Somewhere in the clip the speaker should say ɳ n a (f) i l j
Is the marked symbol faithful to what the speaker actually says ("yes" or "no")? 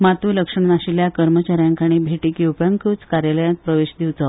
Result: no